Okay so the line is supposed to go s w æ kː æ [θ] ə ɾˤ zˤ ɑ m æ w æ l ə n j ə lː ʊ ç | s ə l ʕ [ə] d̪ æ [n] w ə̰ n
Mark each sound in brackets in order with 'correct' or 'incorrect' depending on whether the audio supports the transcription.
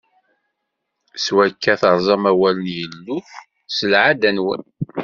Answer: correct, incorrect, correct

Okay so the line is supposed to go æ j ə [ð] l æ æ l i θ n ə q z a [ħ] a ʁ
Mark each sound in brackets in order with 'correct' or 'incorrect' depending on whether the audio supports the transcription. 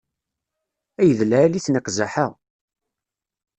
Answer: correct, correct

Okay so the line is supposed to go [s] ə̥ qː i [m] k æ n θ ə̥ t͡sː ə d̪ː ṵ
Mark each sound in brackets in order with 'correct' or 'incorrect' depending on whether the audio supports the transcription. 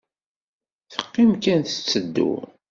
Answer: incorrect, correct

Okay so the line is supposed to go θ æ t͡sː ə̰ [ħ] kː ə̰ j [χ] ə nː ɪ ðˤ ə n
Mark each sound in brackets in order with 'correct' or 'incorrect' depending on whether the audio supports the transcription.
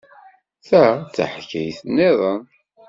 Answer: correct, incorrect

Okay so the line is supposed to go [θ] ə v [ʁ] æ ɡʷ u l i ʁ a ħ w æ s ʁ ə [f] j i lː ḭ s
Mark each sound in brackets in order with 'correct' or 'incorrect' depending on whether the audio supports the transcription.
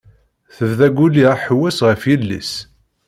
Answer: correct, incorrect, correct

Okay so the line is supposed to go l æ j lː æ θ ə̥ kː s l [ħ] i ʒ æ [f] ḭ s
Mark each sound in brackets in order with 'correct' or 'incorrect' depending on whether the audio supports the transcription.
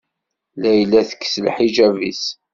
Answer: correct, incorrect

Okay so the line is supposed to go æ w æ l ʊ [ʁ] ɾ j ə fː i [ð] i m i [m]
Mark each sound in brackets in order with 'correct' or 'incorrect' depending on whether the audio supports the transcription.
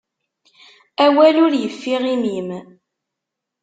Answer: incorrect, incorrect, correct

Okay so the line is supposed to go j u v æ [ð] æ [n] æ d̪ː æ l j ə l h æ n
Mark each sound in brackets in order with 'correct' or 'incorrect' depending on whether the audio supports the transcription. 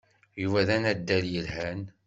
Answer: correct, correct

